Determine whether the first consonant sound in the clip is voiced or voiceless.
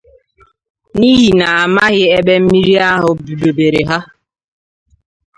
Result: voiced